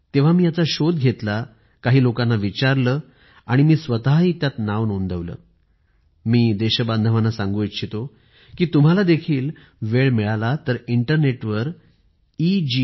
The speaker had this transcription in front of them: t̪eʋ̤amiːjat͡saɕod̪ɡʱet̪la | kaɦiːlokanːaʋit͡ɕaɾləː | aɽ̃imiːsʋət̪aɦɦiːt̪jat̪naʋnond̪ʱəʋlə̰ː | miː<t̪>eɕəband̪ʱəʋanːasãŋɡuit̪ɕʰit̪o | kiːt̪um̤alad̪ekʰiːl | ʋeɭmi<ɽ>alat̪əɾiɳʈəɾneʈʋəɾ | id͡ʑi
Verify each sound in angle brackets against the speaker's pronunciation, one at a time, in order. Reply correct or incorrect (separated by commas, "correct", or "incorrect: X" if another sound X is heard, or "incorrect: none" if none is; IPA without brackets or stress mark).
incorrect: d̪, incorrect: ɭ